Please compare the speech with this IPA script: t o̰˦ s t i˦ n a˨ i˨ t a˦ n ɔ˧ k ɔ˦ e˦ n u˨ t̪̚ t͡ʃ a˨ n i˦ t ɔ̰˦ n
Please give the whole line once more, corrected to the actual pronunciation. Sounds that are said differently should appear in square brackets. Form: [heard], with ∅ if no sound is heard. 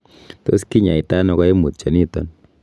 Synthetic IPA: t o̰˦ s [k] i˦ [ɲ] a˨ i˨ t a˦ n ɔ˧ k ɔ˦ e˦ [m] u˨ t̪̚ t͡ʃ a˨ n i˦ t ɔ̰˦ n